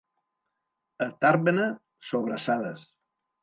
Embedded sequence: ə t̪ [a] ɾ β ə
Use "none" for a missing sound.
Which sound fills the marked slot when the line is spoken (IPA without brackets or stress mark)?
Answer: a